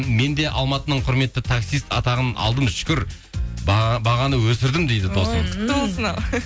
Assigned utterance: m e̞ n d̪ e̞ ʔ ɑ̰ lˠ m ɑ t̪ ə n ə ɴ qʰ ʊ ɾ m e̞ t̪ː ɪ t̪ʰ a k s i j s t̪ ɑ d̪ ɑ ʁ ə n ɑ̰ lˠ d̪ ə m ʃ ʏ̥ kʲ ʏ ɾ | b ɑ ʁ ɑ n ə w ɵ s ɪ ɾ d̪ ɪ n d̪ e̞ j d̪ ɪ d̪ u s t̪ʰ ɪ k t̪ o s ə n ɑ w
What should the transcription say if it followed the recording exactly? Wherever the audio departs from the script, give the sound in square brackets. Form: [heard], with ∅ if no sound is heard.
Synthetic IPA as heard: m e̞ n d̪ e̞ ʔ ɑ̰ lˠ m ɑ t̪ ə n ə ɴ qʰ ʊ ɾ m e̞ t̪ː ɪ t̪ʰ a k s i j s t̪ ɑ [t̪] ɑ ʁ ə n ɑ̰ lˠ d̪ ə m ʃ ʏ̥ kʲ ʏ ɾ | b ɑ ʁ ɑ n ə w ɵ s ɪ ɾ d̪ ɪ [m] d̪ e̞ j d̪ ɪ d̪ [o] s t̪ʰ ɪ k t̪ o s ə n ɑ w